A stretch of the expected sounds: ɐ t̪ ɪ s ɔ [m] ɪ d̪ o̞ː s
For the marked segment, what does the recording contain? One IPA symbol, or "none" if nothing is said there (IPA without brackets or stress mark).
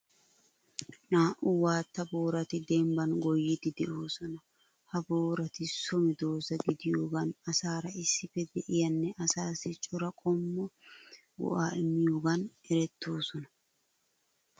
m